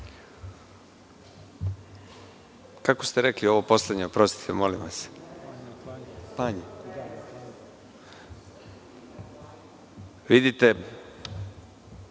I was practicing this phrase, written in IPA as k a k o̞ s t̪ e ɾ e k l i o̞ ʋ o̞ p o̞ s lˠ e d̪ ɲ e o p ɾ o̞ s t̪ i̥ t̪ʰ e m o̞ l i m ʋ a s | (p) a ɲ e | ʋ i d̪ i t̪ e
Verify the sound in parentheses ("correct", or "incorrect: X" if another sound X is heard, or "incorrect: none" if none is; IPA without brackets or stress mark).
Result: correct